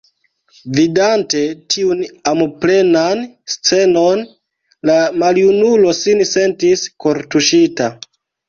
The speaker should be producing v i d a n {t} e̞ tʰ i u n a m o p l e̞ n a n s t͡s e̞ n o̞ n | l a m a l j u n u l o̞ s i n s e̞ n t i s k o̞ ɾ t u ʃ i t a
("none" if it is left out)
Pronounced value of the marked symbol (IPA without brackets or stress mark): t